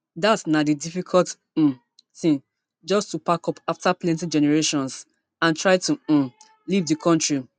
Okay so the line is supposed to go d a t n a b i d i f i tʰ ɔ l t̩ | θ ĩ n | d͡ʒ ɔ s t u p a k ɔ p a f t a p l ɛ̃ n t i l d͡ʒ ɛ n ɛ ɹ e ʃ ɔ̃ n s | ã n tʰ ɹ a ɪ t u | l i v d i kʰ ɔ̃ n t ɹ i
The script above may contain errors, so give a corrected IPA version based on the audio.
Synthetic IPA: d a t n a d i d i f i kʰ ɔ l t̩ | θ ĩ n | d͡ʒ ɔ s t u p a k ɔ p a f t a p l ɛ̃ n t i d͡ʒ ɛ n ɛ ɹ e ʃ ɔ̃ n s | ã n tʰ ɹ a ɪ t u | l i v d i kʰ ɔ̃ n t ɹ i